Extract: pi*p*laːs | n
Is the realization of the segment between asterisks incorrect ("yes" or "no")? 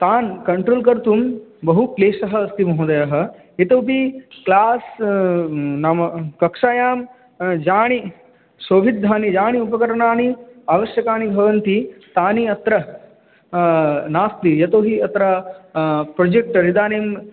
yes